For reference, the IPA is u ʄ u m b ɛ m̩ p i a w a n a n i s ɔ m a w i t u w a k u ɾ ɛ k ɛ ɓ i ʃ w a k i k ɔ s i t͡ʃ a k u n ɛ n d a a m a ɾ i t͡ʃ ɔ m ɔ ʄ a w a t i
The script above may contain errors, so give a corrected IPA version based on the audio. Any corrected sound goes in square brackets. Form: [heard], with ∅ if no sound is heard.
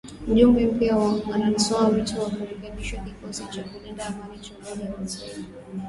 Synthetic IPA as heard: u ʄ u m b ɛ m̩ p i a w a n a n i s ɔ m a w i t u w a k u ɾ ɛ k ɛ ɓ i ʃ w a k i k ɔ s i t͡ʃ a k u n ɛ n d a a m a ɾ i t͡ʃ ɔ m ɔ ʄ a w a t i